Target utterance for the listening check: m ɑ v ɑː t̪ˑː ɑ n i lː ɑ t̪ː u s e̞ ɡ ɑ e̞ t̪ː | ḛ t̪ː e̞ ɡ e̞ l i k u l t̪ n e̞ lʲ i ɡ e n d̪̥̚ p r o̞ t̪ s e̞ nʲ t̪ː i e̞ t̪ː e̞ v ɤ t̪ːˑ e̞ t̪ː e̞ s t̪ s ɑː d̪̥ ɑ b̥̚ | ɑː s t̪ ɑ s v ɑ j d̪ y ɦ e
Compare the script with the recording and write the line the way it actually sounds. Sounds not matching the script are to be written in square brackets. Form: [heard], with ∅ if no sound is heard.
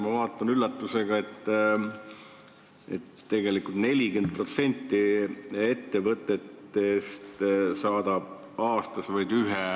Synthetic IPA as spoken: m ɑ v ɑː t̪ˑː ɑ n [y] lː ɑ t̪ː u s e̞ ɡ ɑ e̞ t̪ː | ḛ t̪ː e̞ ɡ e̞ l i k u l t̪ n e̞ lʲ i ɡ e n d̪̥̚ p r o̞ t̪ s e̞ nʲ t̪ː i e̞ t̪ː e̞ v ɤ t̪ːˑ e̞ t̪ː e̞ s t̪ s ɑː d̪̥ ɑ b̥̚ | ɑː s t̪ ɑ s v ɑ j d̪ y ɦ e